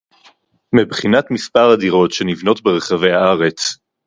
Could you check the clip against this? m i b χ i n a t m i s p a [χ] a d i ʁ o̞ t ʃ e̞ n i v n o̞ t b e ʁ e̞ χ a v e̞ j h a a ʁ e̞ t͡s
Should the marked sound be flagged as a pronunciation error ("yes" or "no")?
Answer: yes